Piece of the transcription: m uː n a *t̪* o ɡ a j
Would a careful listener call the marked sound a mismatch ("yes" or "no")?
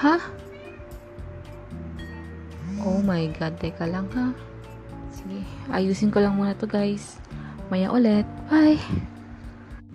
no